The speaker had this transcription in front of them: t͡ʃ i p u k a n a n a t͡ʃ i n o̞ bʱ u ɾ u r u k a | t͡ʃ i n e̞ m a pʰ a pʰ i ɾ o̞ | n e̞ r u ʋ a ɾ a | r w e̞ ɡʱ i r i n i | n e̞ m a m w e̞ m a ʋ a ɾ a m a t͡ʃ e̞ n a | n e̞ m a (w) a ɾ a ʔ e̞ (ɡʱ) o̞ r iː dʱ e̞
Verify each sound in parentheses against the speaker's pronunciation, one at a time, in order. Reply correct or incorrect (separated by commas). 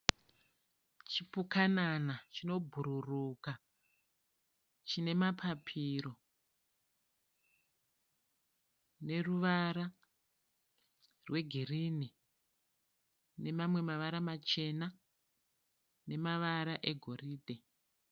incorrect, correct